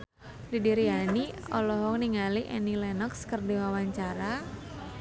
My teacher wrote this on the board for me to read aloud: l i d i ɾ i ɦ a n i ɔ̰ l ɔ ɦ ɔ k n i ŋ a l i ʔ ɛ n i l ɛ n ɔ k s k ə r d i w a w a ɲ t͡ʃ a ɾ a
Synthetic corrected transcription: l i d i ɾ i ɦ a n i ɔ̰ l ɔ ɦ ɔ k n i ŋ a l i ʔ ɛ n i l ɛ n ɔ k s k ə r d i w a w a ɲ t͡ʃ a ɾ a